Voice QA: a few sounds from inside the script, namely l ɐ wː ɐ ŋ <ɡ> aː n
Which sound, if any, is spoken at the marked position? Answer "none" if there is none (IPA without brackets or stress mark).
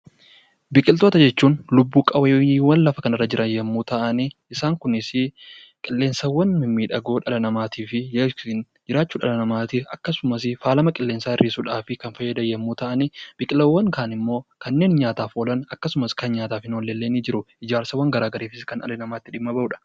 k